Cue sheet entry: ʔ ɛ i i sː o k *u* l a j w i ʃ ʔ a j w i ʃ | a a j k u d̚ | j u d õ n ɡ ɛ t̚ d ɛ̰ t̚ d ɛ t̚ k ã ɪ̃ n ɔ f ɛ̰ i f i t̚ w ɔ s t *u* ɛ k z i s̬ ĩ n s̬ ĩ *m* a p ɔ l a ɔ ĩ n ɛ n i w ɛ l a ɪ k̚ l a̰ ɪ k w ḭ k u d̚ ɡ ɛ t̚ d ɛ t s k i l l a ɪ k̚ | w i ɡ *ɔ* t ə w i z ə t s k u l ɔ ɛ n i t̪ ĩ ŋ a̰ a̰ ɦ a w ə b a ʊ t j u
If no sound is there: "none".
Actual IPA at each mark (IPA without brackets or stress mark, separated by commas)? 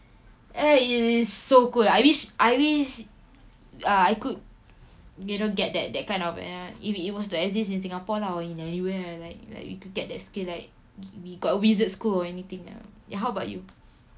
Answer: u, u, ŋ, ɔ